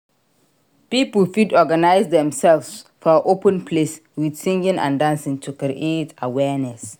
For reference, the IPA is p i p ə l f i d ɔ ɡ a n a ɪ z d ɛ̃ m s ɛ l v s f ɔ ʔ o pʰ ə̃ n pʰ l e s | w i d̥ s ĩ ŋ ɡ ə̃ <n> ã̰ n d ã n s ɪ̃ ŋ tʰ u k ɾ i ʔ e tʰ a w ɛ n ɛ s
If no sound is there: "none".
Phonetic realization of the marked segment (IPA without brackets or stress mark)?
n